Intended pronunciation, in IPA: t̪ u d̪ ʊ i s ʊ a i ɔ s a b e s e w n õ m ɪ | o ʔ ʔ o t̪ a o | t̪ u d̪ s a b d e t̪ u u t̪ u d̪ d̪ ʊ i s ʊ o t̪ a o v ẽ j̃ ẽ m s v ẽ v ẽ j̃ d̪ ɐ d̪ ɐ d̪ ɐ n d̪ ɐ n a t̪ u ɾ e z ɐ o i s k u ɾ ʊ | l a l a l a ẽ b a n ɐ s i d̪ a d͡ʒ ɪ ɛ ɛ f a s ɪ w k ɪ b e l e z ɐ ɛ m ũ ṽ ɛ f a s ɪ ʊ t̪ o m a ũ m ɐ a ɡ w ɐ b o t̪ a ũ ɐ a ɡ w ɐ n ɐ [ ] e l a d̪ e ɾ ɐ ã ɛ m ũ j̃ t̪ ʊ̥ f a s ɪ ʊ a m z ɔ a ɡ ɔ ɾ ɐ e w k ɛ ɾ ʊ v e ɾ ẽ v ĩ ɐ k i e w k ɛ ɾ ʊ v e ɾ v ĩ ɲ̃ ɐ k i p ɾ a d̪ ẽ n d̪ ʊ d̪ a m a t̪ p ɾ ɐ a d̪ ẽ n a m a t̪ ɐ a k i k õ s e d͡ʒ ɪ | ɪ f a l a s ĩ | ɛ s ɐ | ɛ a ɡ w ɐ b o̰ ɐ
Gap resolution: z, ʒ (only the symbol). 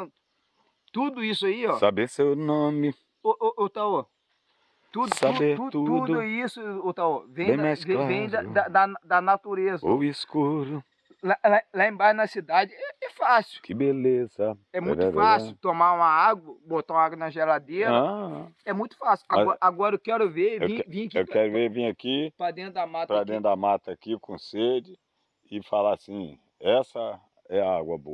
ʒ